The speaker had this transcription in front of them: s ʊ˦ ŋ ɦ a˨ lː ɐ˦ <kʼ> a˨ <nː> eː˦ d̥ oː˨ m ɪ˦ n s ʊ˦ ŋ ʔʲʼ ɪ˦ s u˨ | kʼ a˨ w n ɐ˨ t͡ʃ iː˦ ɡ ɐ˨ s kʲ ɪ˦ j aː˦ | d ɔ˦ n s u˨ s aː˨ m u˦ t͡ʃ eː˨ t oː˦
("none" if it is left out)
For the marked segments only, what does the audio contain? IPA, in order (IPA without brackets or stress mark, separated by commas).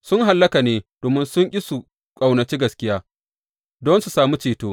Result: k, n